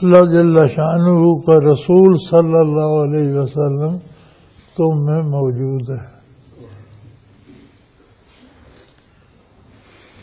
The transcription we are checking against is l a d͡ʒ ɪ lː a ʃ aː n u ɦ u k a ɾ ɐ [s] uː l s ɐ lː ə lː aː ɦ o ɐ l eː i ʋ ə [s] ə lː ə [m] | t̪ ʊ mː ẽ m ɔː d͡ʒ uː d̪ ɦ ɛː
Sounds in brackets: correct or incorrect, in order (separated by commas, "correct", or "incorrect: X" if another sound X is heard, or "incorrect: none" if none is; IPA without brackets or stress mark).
correct, correct, correct